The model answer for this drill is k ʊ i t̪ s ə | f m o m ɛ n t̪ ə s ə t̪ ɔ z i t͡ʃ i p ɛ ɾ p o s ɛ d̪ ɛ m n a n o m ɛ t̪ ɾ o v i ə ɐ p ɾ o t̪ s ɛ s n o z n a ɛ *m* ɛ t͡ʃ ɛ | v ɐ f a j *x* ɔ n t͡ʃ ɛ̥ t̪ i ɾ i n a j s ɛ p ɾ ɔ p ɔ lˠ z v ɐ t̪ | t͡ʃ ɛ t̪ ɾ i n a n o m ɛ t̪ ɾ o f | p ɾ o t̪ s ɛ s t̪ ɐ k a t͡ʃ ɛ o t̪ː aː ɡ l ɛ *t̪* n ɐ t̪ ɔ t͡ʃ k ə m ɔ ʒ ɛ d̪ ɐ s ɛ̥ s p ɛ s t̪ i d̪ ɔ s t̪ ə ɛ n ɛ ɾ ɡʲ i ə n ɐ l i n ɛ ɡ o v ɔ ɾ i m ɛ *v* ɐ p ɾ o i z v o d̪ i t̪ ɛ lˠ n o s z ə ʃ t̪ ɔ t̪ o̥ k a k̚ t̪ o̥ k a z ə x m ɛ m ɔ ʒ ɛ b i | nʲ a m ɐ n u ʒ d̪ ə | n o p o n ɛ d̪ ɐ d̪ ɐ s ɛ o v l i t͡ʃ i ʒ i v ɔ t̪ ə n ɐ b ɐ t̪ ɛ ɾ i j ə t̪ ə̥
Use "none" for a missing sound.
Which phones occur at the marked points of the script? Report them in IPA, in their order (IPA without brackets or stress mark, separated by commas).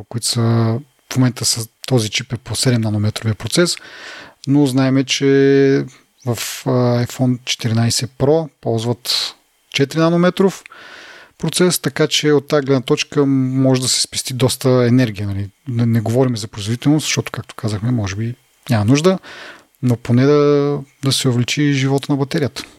m, f, d̪, z